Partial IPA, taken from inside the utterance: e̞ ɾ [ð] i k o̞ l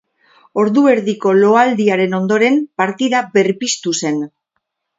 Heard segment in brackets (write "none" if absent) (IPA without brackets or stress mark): ð